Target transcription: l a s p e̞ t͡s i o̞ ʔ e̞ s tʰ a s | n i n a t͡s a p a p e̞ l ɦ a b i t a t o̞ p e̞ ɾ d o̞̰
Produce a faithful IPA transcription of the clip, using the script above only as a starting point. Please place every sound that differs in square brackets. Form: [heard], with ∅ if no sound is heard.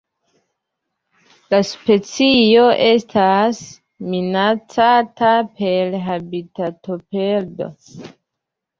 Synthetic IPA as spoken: l a s p e̞ t͡s i o̞ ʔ e̞ s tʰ a s | [m] i n a t͡s a [t] a p e̞ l ɦ a b i t a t o̞ p e̞ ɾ d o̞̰